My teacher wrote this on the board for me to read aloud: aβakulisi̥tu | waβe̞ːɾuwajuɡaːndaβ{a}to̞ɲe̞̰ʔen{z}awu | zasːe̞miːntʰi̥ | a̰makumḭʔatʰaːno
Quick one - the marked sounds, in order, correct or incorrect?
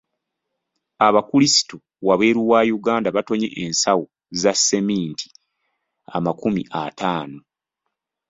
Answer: correct, incorrect: s

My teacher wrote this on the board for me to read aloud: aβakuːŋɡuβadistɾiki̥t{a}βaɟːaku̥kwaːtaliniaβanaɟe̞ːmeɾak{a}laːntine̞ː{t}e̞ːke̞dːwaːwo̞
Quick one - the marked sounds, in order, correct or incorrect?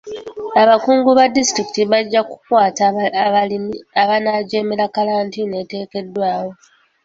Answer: incorrect: i, correct, correct

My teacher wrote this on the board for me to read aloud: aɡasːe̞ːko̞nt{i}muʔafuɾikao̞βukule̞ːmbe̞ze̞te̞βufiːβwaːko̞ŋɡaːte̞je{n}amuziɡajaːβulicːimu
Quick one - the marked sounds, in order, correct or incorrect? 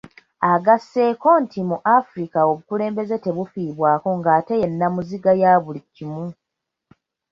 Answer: correct, incorrect: nː

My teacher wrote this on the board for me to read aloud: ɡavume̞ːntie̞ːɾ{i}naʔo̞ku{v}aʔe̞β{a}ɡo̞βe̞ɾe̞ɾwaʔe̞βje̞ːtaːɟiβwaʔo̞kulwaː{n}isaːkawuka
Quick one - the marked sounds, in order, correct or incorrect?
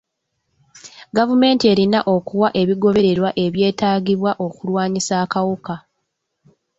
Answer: correct, incorrect: w, incorrect: i, incorrect: ɲ

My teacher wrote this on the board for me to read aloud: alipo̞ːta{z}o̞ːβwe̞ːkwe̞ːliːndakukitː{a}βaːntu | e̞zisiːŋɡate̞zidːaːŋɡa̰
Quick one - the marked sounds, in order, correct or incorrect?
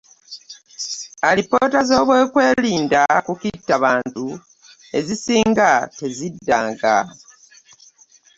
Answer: correct, correct

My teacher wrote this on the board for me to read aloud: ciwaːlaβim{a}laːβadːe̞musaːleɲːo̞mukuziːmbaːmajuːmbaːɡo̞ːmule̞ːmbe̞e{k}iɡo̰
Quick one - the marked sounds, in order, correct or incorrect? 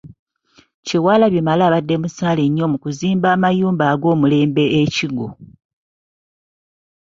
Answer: correct, incorrect: c

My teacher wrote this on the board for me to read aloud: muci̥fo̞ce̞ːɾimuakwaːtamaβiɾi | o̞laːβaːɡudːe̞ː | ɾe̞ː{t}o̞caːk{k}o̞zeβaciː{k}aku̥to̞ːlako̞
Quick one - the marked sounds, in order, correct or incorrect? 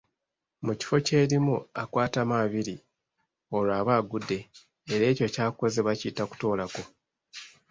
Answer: incorrect: c, correct, incorrect: t

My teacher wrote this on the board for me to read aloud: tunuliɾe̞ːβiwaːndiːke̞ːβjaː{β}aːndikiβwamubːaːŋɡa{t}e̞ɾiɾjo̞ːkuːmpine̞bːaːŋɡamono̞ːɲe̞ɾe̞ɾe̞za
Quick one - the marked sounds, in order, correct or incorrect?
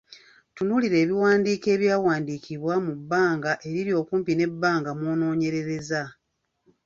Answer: incorrect: w, incorrect: ʔ

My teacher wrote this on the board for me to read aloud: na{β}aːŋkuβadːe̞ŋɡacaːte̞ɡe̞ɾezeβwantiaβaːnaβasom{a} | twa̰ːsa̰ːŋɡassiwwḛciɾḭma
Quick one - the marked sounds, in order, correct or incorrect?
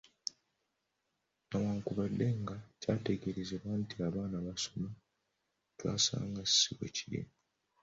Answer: incorrect: w, correct

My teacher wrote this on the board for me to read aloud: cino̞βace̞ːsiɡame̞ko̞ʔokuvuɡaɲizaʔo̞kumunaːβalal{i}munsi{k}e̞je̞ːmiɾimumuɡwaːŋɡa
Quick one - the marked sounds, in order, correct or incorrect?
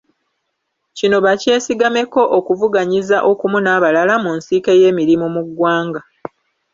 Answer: incorrect: a, correct

